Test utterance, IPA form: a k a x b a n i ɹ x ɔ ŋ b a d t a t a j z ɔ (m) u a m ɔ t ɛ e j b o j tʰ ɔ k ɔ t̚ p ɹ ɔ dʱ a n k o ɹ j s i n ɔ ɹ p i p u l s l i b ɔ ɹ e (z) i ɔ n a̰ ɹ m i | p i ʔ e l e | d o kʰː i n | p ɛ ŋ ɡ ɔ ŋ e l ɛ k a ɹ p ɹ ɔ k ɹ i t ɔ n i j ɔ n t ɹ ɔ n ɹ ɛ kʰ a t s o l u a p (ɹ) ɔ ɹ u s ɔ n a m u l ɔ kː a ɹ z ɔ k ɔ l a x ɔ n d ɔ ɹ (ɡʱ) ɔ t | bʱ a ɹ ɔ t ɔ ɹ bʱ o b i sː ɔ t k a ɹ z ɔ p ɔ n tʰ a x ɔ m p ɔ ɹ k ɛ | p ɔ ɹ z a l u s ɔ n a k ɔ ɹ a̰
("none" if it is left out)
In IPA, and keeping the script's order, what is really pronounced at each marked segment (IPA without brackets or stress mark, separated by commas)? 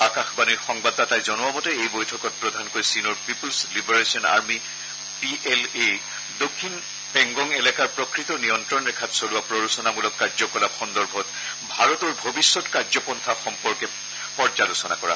n, s, ɹ, bʱ